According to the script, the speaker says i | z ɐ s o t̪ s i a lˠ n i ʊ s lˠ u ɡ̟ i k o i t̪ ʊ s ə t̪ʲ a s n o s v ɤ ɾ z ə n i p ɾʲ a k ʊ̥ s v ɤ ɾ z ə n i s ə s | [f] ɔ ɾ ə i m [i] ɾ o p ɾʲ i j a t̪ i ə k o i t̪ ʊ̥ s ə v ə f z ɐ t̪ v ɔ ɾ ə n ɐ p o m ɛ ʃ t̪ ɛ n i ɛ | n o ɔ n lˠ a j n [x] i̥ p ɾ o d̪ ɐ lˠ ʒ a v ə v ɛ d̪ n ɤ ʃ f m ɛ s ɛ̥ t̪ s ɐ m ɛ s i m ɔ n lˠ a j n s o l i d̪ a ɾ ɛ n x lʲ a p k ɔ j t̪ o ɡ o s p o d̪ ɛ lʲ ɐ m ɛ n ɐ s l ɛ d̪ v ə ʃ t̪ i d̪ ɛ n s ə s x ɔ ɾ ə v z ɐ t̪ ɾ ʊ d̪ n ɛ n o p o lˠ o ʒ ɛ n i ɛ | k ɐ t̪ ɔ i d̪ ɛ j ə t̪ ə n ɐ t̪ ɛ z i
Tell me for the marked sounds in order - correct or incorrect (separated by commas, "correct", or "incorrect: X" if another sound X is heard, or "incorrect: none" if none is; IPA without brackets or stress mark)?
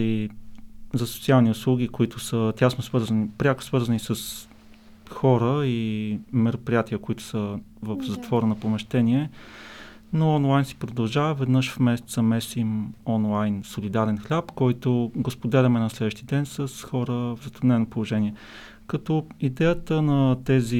incorrect: x, incorrect: ɛ, incorrect: s